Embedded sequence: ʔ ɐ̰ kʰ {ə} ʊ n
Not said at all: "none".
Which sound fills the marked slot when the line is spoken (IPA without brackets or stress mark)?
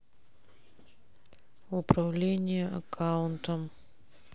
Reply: a